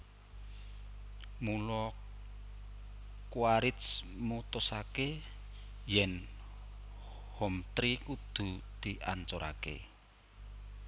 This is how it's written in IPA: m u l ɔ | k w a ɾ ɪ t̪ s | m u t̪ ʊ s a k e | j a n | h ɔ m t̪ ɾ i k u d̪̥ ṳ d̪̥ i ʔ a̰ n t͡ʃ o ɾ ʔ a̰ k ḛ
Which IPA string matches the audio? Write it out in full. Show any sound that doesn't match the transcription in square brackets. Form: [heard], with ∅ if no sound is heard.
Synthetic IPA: m u l ɔ | k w a ɾ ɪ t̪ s | m u t̪ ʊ s a k e | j [ɛ] n | h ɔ m t̪ ɾ i k u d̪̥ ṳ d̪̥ i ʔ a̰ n t͡ʃ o ɾ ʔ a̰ k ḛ